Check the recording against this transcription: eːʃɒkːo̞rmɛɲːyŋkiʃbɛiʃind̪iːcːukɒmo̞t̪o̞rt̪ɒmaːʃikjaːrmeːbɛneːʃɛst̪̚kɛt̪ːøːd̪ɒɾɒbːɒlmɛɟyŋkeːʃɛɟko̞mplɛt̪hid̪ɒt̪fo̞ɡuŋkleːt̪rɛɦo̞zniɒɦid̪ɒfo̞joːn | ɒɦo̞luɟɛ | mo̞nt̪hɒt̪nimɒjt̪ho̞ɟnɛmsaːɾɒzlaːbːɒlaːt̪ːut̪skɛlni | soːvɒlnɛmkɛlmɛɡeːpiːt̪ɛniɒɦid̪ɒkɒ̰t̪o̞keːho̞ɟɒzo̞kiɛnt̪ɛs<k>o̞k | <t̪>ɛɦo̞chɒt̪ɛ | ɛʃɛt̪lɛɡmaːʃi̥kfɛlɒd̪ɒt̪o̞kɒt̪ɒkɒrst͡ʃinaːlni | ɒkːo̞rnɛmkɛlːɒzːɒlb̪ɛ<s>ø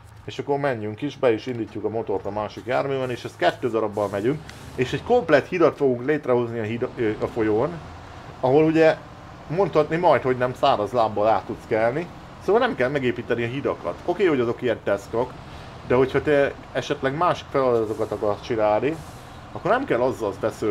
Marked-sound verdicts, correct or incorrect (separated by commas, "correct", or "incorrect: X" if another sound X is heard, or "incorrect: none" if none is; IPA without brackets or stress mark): correct, incorrect: d̪, correct